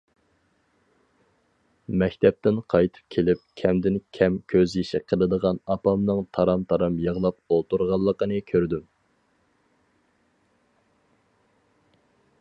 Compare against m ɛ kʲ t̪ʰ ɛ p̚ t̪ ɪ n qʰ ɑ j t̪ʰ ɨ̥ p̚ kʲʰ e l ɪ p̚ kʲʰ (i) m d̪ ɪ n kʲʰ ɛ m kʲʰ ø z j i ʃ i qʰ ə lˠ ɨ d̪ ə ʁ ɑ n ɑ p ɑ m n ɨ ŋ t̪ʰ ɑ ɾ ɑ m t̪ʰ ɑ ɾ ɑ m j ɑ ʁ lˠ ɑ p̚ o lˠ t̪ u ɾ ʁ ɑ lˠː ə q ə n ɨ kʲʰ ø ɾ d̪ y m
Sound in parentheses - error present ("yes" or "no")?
yes